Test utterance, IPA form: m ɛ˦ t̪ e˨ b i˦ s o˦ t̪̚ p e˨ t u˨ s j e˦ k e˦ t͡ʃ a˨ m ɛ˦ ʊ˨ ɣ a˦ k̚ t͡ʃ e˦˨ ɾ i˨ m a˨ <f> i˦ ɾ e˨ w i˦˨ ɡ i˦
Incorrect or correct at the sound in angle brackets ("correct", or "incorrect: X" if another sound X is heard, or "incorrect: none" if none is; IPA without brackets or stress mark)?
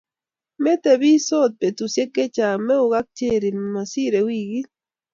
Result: incorrect: s